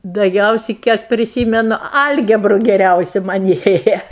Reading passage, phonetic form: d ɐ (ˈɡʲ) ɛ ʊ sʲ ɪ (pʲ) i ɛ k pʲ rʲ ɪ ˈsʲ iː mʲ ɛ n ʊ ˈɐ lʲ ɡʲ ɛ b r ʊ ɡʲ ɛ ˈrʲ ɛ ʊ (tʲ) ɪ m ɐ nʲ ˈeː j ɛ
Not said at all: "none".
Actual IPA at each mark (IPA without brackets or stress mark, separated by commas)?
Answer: ɡʲ, kʲ, sʲ